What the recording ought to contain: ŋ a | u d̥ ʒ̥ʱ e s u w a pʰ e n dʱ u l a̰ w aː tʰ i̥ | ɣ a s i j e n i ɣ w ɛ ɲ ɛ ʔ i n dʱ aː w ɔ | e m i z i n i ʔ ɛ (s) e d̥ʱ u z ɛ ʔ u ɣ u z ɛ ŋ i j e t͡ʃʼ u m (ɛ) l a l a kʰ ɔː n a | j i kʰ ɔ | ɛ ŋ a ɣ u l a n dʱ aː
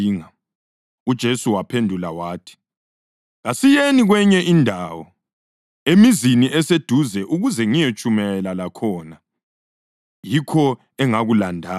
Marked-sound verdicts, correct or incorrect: correct, correct

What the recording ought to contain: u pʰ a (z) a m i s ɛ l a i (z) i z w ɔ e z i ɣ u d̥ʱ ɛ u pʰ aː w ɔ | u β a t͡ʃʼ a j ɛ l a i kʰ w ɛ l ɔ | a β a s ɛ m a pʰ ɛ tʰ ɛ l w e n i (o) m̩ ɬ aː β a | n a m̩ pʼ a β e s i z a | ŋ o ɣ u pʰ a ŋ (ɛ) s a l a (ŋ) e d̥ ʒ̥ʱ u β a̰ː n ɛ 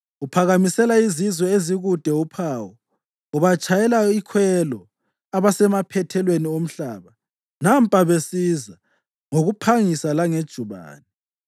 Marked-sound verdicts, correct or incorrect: incorrect, correct, correct, incorrect, correct

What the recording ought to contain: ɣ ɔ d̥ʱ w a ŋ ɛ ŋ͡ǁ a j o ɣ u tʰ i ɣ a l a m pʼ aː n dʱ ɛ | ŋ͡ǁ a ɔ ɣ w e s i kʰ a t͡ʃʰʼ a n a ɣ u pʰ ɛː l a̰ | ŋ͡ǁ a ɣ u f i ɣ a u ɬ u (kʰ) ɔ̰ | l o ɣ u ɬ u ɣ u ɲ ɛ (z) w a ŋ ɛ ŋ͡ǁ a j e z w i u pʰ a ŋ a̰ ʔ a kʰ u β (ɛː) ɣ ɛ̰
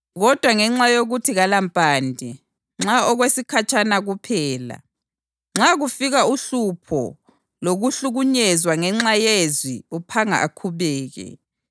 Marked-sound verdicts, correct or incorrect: incorrect, correct, correct

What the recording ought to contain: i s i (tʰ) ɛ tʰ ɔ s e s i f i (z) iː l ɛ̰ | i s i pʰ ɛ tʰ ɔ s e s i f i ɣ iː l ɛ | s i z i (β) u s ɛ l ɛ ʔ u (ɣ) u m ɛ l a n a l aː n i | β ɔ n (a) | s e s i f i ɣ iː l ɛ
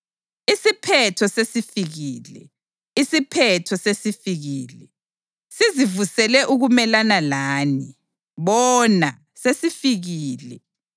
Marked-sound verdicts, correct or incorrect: incorrect, incorrect, incorrect, correct, correct

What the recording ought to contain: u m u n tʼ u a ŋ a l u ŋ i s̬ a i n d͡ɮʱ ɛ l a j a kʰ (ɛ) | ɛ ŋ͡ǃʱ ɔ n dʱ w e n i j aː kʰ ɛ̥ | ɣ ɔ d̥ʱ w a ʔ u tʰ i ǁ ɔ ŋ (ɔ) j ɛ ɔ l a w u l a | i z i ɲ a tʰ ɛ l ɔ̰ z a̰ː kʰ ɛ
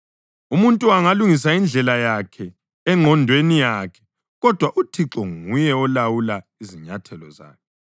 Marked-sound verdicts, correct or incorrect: correct, incorrect

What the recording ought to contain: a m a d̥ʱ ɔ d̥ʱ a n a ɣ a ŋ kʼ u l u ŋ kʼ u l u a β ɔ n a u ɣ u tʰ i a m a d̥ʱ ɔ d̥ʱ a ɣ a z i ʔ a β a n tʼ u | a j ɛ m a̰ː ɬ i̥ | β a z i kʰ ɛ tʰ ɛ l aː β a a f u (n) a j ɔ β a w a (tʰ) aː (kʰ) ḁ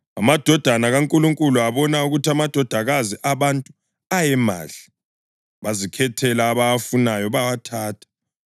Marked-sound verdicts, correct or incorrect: correct, correct, incorrect

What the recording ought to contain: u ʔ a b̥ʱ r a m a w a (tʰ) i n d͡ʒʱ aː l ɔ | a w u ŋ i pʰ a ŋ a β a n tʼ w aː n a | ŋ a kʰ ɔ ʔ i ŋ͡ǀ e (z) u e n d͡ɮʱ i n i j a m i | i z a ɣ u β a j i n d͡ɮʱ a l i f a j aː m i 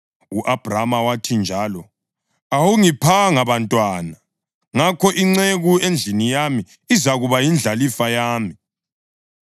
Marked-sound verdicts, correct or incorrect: correct, incorrect

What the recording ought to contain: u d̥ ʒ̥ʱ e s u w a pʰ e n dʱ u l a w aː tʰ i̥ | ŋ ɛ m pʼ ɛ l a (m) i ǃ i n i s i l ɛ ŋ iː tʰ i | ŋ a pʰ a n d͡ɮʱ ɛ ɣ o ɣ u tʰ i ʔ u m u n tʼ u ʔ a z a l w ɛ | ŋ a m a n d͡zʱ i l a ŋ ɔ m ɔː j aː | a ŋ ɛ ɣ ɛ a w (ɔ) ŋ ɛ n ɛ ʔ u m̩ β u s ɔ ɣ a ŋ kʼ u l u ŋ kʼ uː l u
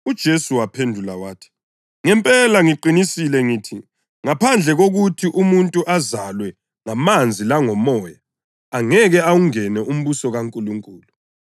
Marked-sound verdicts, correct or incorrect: incorrect, incorrect

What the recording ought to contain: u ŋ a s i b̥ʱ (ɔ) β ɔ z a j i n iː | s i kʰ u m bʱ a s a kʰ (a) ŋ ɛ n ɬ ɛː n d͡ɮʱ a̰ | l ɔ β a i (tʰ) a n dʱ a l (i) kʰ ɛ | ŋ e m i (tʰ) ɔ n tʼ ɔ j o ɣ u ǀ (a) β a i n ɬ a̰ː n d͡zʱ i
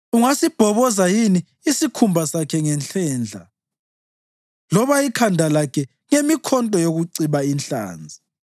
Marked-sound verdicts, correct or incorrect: correct, incorrect, incorrect, incorrect, incorrect, incorrect

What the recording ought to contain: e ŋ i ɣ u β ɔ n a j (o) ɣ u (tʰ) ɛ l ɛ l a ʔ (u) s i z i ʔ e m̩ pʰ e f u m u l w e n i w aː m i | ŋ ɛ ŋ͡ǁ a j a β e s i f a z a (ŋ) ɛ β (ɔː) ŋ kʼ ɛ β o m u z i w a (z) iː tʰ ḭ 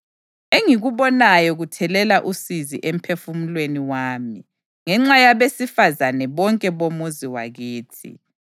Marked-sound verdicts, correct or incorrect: incorrect, correct, correct, incorrect, incorrect, incorrect

